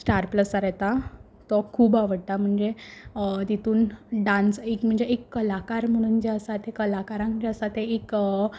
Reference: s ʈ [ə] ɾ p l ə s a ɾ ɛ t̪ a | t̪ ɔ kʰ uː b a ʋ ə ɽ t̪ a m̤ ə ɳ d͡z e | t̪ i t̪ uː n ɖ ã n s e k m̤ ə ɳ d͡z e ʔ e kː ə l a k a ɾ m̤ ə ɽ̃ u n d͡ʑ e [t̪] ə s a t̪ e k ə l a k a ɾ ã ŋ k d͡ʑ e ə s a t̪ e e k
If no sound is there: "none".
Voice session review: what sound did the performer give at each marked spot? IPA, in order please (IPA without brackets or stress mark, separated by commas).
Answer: a, none